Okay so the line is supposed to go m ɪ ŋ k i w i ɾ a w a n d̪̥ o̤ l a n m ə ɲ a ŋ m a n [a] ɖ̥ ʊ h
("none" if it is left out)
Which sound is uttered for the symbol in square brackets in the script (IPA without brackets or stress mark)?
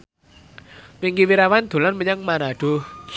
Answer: a